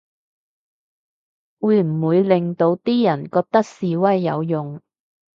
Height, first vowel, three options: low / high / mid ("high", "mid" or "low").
high